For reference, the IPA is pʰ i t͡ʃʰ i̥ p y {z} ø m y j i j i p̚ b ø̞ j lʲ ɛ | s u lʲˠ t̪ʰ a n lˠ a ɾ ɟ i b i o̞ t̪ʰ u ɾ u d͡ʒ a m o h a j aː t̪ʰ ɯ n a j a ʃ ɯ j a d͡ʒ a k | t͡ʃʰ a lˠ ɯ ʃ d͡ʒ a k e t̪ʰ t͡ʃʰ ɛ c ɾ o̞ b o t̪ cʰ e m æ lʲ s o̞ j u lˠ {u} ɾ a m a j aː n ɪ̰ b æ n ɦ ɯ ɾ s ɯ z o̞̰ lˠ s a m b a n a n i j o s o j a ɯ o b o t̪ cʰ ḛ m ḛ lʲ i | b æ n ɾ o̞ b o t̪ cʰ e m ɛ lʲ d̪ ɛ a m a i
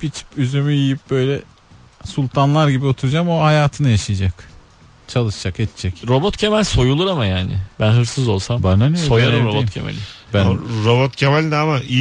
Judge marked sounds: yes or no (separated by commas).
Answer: yes, yes